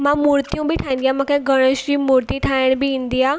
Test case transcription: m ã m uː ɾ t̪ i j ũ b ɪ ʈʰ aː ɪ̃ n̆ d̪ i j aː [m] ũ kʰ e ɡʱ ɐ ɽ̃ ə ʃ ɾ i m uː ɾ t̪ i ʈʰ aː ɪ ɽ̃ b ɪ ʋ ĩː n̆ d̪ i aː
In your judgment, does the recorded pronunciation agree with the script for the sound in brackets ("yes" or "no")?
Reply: yes